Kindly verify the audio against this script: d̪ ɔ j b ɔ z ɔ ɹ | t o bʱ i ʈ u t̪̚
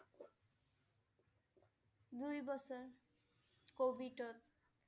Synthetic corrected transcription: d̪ u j b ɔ s ɔ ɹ | k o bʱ i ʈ ɔ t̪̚